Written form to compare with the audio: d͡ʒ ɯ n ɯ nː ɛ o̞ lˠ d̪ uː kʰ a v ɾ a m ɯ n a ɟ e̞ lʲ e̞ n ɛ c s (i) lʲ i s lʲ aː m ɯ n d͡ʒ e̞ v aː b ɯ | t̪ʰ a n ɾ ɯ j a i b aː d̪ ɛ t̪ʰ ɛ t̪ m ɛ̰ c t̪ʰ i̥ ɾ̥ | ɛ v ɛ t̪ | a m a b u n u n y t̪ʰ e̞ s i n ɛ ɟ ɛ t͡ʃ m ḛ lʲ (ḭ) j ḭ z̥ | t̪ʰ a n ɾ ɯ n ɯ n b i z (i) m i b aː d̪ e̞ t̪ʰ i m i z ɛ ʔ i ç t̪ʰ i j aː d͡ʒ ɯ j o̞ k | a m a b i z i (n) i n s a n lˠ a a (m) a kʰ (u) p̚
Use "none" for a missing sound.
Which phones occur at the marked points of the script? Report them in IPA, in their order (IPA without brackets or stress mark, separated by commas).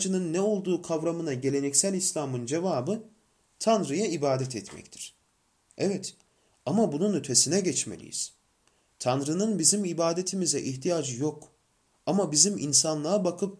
æ, ḭ, i, m, b, ɯ